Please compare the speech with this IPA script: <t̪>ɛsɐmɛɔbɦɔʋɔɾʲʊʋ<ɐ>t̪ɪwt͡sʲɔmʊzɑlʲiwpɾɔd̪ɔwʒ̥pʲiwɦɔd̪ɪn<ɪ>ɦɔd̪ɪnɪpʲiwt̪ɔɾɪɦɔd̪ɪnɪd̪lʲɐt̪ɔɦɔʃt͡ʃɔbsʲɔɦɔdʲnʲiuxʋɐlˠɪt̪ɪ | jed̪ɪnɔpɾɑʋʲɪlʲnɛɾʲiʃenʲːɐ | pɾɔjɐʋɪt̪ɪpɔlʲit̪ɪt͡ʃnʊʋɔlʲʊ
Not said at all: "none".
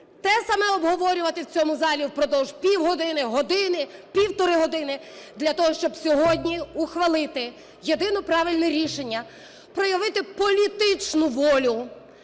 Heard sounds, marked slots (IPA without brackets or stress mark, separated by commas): t̪, ɐ, ɪ